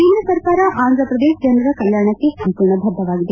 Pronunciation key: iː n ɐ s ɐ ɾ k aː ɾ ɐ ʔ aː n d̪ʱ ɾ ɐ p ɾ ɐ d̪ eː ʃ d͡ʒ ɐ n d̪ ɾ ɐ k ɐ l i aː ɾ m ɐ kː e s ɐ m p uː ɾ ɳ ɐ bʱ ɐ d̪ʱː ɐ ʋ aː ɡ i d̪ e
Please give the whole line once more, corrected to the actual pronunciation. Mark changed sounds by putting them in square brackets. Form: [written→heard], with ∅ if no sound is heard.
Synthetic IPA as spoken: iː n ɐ s ɐ ɾ k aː ɾ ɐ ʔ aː n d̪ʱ ɾ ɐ p ɾ ɐ d̪ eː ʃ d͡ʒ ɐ n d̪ ɾ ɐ k ɐ l [i→j] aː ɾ [m→ɳ] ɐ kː e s ɐ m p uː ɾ ɳ ɐ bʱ ɐ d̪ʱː ɐ ʋ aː ɡ i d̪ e